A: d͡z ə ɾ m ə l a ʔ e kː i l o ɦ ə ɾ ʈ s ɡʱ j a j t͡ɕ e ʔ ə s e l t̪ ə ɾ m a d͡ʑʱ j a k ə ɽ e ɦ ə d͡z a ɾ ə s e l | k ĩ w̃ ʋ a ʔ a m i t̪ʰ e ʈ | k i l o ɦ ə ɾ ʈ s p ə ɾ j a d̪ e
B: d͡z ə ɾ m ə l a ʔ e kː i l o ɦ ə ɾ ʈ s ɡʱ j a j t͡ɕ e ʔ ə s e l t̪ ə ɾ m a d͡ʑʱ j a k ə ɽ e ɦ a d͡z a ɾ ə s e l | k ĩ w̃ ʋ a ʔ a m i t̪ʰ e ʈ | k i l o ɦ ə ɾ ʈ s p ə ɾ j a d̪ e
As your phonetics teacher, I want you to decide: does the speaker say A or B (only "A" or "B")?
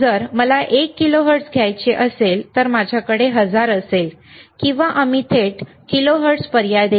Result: A